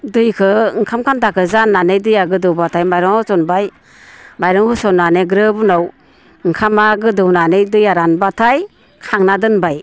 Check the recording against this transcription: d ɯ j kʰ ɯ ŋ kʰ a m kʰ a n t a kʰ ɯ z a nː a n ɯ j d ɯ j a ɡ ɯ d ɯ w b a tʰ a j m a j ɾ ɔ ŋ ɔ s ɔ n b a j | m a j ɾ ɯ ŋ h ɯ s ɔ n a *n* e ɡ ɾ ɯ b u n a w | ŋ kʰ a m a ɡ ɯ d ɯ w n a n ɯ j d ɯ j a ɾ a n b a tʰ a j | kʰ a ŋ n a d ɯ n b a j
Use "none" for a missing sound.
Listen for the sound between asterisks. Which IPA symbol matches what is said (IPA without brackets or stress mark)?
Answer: n